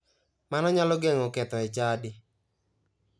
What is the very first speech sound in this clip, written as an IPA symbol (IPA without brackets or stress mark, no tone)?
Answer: m